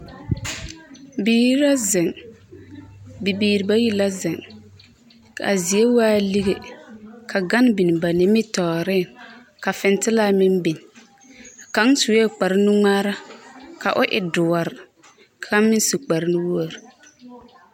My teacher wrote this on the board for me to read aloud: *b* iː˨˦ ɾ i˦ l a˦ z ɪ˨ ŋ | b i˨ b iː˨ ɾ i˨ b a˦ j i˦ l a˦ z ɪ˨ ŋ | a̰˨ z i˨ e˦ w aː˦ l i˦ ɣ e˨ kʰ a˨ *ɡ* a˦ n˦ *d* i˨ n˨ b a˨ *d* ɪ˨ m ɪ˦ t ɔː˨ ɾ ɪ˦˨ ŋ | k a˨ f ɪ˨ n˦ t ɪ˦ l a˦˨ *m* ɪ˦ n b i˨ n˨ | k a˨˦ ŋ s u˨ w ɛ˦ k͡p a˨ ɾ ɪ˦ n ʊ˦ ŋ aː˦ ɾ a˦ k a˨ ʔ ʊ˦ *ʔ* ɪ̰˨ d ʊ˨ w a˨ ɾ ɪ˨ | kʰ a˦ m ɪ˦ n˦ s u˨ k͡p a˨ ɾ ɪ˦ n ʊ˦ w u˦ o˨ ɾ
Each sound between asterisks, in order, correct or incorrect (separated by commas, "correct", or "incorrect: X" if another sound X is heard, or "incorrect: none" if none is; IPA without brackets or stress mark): correct, correct, incorrect: b, incorrect: n, correct, correct